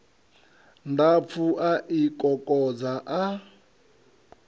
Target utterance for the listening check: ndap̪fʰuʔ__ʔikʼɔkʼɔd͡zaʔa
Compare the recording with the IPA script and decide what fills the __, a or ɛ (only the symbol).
a